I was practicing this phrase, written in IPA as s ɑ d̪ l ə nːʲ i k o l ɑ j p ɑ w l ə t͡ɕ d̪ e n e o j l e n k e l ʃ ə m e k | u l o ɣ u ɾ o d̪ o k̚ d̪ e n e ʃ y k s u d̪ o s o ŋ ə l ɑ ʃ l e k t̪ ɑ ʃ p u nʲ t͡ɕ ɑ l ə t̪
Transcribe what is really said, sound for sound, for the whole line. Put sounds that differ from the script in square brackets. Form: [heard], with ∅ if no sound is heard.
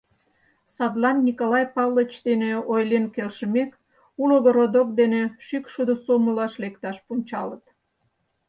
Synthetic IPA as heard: s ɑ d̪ l [ɑ] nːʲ i k o l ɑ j p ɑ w l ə t͡ɕ d̪ e n e o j l e n k e l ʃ ə m e k | u l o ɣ [o] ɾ o d̪ o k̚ d̪ e n e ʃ y k [ʃ] u d̪ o s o [m] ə l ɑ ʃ l e k t̪ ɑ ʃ p u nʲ t͡ɕ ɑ l ə t̪